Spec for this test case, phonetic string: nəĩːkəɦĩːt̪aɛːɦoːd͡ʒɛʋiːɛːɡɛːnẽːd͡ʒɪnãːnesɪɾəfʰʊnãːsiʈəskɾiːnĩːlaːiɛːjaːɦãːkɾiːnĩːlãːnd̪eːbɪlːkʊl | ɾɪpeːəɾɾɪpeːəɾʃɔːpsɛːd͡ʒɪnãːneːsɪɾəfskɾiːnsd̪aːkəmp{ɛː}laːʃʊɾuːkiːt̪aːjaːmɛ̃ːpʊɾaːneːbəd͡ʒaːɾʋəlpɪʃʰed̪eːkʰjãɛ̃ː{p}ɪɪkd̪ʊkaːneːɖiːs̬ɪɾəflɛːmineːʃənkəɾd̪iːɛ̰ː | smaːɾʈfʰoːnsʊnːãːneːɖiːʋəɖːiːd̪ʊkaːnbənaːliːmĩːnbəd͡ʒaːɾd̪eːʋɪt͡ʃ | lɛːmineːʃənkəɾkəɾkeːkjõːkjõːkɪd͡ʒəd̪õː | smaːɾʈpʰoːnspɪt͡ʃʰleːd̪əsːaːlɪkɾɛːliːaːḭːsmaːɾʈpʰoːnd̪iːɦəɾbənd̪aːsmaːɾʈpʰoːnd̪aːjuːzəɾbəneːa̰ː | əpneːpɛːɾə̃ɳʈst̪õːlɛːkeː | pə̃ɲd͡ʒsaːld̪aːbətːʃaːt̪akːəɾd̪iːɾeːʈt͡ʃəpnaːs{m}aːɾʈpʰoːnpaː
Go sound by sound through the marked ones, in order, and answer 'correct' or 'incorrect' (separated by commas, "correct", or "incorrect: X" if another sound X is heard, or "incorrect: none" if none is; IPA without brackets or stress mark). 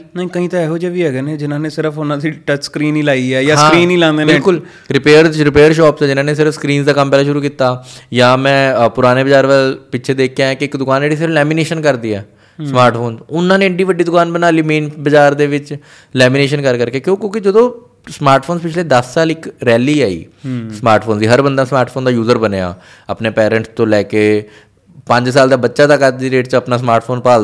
correct, incorrect: k, correct